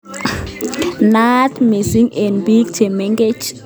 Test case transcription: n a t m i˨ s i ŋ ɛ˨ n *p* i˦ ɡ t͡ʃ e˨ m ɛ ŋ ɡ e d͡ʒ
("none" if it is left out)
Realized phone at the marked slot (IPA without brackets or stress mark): b